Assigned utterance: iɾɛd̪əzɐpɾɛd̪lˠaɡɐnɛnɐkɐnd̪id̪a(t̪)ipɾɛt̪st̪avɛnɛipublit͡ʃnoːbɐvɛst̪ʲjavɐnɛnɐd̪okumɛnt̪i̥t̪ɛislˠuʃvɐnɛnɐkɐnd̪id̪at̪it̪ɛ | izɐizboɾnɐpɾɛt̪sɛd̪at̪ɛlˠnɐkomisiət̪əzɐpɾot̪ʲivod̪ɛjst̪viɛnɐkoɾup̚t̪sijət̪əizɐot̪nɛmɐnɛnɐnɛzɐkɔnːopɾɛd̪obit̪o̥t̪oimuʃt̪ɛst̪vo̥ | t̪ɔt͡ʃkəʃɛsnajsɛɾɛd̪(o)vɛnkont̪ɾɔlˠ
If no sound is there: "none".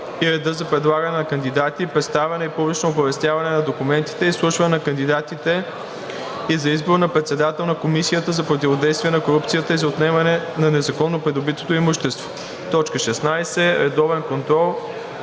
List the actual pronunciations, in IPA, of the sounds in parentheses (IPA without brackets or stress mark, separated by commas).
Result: t̪, ɔ